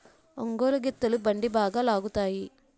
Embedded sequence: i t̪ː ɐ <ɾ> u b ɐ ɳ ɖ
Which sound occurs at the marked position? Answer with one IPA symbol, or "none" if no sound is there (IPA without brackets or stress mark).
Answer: l